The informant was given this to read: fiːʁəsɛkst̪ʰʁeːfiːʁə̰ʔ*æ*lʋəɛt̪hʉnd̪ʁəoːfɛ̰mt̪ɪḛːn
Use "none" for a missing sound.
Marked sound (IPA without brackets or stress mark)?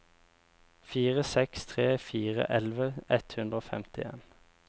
ɛ